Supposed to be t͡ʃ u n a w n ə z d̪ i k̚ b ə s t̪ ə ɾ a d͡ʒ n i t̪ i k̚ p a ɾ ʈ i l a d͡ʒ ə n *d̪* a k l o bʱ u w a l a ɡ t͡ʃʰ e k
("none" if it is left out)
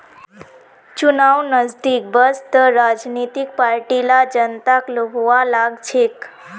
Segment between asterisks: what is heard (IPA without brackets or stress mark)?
t̪